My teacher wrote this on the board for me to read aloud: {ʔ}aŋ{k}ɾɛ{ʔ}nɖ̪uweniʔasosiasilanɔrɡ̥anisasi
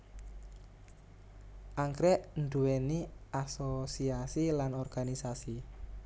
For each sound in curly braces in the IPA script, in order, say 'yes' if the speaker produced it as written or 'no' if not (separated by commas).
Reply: yes, yes, yes